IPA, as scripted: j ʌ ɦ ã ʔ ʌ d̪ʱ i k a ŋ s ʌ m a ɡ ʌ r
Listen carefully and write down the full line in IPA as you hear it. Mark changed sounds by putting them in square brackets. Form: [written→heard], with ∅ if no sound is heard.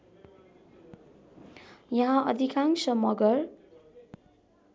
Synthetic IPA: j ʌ ɦ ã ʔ ʌ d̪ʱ i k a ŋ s ʌ m [a→ʌ] ɡ ʌ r

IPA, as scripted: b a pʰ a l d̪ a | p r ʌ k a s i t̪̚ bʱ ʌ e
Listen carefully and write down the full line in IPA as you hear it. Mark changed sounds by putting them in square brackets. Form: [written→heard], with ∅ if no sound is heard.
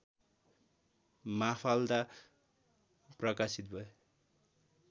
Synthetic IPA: [b→m] a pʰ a l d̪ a | p r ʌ k a s i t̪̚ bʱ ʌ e

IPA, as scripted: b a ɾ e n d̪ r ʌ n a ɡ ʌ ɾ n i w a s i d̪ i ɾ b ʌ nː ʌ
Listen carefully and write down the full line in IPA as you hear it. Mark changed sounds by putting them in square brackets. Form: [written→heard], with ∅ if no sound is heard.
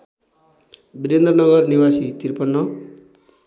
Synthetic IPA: b [a→i] ɾ e n d̪ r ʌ n [a→ʌ] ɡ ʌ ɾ n i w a s i [d̪→t̪] i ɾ [b→p] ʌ nː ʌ

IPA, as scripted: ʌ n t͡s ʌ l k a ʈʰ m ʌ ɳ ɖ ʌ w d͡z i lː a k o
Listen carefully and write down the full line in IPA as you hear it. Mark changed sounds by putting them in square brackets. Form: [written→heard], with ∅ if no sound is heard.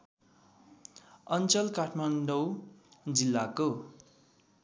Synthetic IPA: ʌ n t͡s ʌ l k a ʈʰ m [ʌ→a] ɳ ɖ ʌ w d͡z i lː a k o

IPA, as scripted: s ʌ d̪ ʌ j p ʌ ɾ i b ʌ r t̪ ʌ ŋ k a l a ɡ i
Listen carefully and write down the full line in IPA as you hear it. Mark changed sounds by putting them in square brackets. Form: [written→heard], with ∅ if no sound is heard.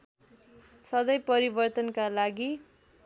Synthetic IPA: s ʌ d̪ ʌ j p ʌ ɾ i b ʌ r t̪ ʌ [ŋ→n] k a l a ɡ i

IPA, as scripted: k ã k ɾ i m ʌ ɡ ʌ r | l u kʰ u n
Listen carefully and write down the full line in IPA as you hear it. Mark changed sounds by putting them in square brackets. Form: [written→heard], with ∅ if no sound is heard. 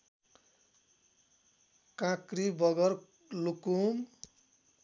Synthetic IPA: k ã k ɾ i [m→b] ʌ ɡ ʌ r | l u [kʰ→k] u [n→m]

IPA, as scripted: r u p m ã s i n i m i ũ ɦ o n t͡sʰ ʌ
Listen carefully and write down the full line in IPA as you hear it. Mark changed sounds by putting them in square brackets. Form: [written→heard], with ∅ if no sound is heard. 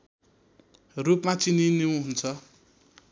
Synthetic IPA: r u p m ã [s→t͡s] i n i [m→n] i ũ ɦ [o→u] n t͡sʰ ʌ

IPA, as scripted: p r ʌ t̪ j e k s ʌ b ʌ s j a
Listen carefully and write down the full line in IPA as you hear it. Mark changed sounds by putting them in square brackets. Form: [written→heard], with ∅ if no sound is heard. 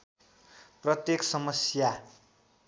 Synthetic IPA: p r ʌ t̪ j e k s ʌ [b→m] ʌ s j a

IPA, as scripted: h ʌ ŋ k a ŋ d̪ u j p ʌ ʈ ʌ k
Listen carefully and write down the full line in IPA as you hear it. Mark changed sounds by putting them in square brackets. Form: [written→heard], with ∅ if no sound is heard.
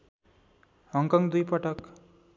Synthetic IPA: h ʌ ŋ k [a→ʌ] ŋ d̪ u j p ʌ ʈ ʌ k

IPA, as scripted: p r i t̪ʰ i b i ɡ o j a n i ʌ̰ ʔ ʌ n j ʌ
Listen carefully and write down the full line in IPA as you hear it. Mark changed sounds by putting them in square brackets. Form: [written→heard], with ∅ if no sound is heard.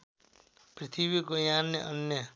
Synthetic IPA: p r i t̪ʰ i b i [ɡ→k] o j a n [i→j] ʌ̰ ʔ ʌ n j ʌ

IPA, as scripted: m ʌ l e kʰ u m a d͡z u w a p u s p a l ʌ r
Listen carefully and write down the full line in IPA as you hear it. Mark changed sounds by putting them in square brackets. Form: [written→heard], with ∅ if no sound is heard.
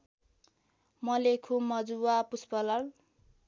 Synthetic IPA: m ʌ l e kʰ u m [a→ʌ] d͡z u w a p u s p [a→ʌ] l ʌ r

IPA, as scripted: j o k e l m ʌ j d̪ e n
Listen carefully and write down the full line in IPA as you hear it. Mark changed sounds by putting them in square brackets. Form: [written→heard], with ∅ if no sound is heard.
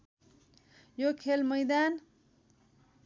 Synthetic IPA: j o [k→kʰ] e l m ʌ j d̪ [e→a] n

